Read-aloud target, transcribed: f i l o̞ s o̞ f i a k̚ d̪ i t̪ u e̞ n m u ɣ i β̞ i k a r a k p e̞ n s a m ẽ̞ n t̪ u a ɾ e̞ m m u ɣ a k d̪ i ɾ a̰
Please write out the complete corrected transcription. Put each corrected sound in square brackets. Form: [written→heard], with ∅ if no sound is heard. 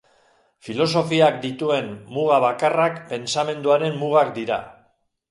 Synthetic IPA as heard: f i l o̞ s o̞ f i a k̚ d̪ i t̪ u e̞ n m u ɣ [i→a] β̞ [i→a] k a r a k p e̞ n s a m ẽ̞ n [t̪→d̪] u a ɾ e̞ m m u ɣ a k d̪ i ɾ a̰